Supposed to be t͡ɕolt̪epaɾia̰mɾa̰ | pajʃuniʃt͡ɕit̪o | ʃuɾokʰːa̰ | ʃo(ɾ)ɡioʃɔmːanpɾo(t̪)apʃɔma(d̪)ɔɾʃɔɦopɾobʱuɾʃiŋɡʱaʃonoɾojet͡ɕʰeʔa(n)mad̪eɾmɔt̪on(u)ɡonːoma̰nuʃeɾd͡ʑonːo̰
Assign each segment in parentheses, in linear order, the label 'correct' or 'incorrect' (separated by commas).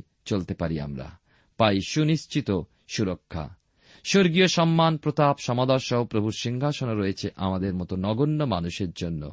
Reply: correct, correct, correct, incorrect, incorrect